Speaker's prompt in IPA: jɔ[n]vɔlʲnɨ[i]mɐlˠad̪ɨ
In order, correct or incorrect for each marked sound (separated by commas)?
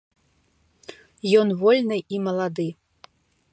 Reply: correct, correct